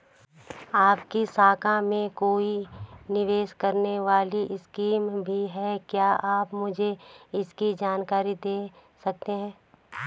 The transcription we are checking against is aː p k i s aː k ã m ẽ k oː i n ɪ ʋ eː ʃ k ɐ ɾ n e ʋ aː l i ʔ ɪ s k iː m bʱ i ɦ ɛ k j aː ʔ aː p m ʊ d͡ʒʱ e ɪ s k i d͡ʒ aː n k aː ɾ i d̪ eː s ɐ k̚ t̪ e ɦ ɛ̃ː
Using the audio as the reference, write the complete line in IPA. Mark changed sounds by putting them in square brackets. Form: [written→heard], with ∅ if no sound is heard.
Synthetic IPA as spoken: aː p k i s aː k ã m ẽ k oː i n ɪ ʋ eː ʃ k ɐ ɾ n e ʋ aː l i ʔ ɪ s k iː m bʱ i ɦ ɛ k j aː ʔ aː p m ʊ d͡ʒʱ e ɪ s k i d͡ʒ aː n k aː ɾ i d̪ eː s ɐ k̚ t̪ e ɦ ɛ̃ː